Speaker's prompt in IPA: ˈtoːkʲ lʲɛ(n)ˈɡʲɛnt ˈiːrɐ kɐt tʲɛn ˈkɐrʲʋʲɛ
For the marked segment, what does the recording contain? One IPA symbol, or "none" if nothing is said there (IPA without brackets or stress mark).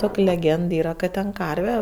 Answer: none